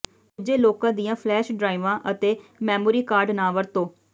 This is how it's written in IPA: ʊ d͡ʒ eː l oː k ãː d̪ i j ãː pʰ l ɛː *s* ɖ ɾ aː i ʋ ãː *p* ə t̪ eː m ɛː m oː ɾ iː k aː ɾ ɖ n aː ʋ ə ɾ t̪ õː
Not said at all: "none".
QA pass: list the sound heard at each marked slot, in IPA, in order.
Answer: ʃ, ʔ

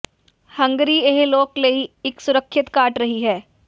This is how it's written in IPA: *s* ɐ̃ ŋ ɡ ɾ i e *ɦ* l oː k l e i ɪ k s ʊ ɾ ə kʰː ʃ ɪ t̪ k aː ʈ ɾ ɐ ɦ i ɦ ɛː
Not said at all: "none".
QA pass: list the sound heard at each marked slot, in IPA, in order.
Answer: h, ɦ

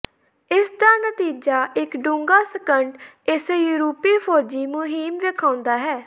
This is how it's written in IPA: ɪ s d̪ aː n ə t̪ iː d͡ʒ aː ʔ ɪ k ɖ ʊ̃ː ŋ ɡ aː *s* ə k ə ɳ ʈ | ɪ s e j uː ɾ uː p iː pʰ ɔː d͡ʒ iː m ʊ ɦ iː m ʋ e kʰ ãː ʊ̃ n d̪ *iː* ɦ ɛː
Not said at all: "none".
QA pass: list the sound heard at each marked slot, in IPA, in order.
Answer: s, aː

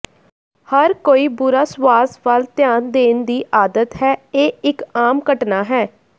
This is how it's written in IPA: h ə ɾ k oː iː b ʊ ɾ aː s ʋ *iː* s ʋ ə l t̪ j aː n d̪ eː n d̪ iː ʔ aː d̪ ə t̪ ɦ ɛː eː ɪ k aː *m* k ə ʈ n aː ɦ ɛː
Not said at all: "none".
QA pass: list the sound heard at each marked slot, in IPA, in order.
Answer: aː, m

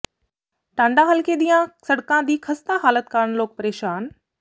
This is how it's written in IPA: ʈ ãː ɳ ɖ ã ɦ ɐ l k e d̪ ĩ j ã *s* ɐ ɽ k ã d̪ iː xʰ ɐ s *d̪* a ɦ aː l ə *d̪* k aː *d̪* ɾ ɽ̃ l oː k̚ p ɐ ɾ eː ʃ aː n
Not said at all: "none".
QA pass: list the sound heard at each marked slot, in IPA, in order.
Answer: s, t̪, t̪, none

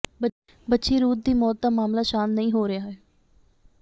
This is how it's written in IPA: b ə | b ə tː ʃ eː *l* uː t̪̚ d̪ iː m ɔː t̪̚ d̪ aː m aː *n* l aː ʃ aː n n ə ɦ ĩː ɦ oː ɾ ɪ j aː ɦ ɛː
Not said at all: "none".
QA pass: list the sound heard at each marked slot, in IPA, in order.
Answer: ɾ, m

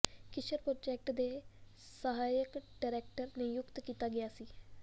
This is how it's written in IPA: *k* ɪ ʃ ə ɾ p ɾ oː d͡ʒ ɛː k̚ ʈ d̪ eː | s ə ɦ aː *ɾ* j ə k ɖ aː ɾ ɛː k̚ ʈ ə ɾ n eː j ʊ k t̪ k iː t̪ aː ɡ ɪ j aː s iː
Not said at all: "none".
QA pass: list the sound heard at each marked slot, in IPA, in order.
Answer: k, none

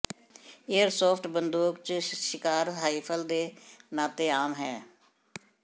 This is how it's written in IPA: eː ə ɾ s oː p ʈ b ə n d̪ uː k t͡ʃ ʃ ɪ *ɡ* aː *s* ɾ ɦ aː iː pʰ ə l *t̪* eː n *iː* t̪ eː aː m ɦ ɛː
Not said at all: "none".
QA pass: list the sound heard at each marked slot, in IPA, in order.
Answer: k, none, d̪, aː

